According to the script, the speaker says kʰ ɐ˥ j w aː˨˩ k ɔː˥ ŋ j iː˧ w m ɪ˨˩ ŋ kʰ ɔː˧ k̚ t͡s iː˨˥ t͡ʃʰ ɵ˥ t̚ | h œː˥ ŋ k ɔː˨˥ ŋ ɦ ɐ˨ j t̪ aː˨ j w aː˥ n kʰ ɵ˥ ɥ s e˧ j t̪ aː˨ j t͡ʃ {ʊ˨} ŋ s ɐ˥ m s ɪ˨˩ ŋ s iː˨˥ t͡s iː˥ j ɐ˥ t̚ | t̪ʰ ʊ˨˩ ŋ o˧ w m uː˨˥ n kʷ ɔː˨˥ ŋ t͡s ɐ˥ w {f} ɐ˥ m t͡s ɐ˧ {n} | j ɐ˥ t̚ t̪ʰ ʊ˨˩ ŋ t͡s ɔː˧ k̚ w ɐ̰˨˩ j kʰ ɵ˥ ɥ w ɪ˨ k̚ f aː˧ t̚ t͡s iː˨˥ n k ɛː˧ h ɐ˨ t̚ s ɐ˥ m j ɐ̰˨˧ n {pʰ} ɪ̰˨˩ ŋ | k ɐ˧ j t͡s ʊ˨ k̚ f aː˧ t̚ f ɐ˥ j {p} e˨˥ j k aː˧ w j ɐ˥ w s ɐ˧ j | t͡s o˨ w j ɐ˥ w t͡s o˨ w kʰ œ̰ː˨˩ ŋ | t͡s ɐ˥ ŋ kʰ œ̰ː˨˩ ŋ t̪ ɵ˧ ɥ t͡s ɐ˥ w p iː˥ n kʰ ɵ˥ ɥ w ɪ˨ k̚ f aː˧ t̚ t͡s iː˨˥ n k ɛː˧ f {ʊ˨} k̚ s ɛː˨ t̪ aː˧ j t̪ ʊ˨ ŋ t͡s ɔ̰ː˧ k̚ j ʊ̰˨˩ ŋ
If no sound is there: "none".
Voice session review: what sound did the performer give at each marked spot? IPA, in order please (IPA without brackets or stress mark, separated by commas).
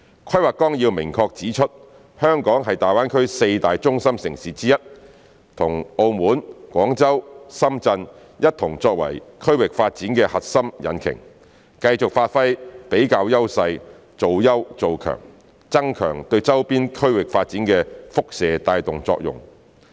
ʊ˥, s, n, kʰ, p, ʊ˥